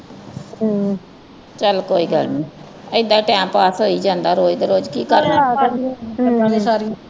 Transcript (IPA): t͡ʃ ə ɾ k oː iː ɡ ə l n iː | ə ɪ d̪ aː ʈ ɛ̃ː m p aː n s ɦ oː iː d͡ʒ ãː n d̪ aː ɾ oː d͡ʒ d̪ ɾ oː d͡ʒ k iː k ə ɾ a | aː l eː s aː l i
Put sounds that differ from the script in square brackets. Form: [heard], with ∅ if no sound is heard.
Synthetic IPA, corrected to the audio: t͡ʃ ə [l] k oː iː ɡ ə l n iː | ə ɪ d̪ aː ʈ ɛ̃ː m p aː [∅] s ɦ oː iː d͡ʒ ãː n d̪ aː ɾ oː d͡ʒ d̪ ɾ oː d͡ʒ k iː k ə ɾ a | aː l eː s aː [ɾ] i